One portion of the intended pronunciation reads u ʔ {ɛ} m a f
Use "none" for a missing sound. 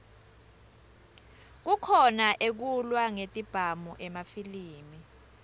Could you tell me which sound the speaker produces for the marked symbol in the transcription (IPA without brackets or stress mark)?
ɛ